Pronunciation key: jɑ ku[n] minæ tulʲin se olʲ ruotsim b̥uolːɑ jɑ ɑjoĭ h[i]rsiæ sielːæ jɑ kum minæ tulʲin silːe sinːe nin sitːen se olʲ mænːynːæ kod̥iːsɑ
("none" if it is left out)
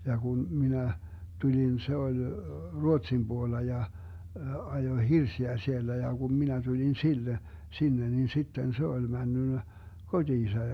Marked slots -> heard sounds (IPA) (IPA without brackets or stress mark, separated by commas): n, i